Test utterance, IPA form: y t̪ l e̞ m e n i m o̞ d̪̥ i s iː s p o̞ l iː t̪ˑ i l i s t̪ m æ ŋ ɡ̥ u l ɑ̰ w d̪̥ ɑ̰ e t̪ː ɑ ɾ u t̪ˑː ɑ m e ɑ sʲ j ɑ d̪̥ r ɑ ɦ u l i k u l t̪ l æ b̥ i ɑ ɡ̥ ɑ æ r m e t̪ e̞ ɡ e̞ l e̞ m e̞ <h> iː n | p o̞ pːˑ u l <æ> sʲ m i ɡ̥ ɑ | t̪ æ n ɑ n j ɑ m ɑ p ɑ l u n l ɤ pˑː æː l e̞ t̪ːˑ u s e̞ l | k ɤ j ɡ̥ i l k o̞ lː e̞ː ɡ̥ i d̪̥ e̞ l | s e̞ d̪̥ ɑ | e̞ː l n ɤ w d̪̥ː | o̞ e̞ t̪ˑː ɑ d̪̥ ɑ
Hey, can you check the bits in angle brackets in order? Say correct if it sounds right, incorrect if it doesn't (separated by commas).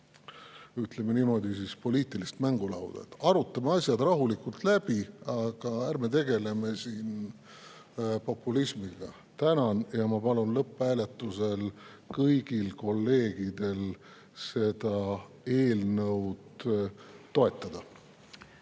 incorrect, incorrect